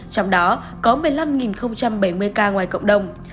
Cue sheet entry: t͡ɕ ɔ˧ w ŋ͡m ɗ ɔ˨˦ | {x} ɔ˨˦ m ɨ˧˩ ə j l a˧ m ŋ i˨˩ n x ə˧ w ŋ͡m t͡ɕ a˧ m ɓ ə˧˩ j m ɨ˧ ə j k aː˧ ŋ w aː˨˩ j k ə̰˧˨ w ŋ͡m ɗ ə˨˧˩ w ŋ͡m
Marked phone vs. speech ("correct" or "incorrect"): incorrect